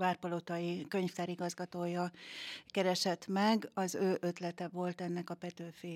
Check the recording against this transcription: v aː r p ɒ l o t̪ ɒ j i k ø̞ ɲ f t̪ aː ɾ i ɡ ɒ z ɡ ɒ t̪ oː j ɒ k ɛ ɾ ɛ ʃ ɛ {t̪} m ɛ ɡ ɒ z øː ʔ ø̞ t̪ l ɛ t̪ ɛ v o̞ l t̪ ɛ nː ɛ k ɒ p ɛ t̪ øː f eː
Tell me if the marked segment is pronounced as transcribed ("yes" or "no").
yes